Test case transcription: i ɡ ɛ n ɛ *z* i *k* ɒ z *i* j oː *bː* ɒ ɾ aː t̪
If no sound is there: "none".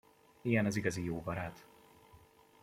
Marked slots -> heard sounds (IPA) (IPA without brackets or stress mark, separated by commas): z, ɡ, i, b